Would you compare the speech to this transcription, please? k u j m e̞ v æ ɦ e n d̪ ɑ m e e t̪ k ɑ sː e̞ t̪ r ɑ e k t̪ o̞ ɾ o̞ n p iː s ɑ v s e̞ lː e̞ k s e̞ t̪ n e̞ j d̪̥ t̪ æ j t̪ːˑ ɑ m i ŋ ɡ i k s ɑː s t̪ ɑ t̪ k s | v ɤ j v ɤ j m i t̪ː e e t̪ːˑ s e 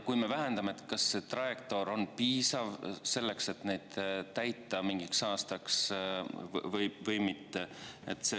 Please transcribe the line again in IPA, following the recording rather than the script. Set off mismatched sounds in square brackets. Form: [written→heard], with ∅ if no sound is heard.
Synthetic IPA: k u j m e̞ v æ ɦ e n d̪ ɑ m e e t̪ k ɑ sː e̞ t̪ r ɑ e k t̪ o̞ ɾ o̞ n p iː s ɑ v s e̞ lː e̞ k s e̞ t̪ n e̞ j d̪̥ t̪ æ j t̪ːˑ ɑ m i ŋ ɡ i k s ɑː s t̪ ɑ [t̪→∅] k s | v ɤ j v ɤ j m i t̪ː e e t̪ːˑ s e

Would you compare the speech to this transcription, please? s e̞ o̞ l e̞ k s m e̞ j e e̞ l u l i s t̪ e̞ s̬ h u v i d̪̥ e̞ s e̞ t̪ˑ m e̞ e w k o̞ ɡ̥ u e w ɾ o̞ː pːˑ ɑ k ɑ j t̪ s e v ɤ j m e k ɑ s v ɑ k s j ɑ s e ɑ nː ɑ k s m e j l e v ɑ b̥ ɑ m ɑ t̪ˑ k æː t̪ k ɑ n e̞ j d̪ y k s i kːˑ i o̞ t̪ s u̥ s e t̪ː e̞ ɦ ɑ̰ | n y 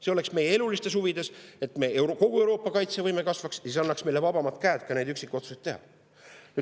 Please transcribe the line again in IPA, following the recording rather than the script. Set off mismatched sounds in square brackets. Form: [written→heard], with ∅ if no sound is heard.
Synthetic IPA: s e̞ o̞ l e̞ k s m e̞ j e e̞ l u l i s t̪ e̞ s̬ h u v i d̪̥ e̞ s e̞ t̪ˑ m e̞ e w k o̞ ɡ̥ u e w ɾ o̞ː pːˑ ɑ k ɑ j t̪ s e v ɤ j m e k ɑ s v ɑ k s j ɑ s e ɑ nː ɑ k s m e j l e v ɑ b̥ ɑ m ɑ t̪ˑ k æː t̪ k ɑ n e̞ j d̪ y k s i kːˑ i o̞ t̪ s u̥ s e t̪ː e̞ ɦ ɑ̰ | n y

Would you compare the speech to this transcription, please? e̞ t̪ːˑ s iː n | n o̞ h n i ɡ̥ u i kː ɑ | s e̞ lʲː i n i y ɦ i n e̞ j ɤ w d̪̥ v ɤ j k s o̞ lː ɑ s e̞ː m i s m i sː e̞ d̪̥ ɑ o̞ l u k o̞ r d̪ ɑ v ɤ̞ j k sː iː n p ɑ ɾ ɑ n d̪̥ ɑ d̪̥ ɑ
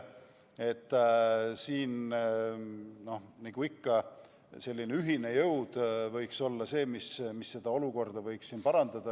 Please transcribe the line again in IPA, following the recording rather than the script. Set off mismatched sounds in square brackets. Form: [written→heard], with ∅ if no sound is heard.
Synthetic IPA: e̞ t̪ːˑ s iː n | n o̞ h n i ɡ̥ u i kː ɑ | s e̞ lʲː i n [i→e] y ɦ i n e̞ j ɤ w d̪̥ v ɤ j k s o̞ lː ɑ s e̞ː m i s m i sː e̞ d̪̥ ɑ o̞ l u k o̞ r d̪ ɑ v ɤ̞ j k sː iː n p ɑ ɾ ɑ n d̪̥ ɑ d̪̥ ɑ

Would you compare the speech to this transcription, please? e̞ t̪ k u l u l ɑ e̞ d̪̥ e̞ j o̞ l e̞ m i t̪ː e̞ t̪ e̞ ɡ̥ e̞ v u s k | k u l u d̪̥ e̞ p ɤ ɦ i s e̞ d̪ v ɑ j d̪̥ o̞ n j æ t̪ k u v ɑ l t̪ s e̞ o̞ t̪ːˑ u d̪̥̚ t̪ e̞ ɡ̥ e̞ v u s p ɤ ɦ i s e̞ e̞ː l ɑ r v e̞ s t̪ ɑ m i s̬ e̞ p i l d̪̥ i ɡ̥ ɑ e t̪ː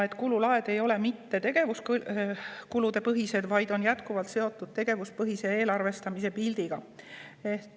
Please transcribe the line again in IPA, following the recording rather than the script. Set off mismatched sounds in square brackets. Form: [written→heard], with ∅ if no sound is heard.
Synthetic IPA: e̞ t̪ k u l u l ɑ e̞ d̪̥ e̞ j o̞ l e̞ m i t̪ː e̞ t̪ e̞ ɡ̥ e̞ v u s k | k u l u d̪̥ e̞ p ɤ ɦ i s e̞ d̪ v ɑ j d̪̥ o̞ n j æ t̪ k u v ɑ l t̪ s e̞ o̞ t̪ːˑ u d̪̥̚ t̪ e̞ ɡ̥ e̞ v u s p ɤ ɦ i s e̞ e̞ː l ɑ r v e̞ s t̪ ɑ m i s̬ e̞ p i l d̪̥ i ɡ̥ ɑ e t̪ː

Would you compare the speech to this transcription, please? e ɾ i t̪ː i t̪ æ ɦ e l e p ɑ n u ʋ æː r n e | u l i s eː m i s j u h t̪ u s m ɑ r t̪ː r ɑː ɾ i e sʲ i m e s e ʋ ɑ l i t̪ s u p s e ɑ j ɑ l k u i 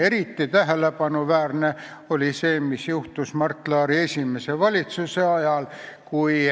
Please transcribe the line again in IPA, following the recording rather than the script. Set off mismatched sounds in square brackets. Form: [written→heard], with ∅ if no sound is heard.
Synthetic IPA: e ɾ i t̪ː i t̪ æ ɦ e l e p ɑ n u ʋ æː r n e | [u→o] l i s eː m i s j u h t̪ u s m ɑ r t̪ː [r→l] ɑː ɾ i e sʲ i m e s e ʋ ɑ l i t̪ s u [p→∅] s e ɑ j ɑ l k u i

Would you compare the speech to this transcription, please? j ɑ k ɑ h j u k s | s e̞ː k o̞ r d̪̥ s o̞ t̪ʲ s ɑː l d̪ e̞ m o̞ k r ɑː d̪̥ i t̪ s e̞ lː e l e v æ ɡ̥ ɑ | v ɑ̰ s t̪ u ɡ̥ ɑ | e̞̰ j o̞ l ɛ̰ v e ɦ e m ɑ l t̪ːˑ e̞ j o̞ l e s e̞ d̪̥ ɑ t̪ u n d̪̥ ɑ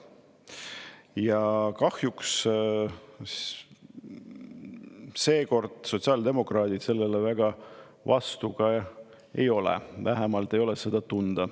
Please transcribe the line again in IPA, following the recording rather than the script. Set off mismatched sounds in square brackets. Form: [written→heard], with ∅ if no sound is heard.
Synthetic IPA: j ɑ k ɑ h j u k s | s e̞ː k o̞ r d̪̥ s o̞ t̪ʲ s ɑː l d̪ e̞ m o̞ k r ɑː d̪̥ i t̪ s e̞ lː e l e v æ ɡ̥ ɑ | v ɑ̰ s t̪ u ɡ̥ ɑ | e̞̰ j o̞ l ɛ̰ v [e→æ] ɦ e m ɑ l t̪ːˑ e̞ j o̞ l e s e̞ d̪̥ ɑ t̪ u n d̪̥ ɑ

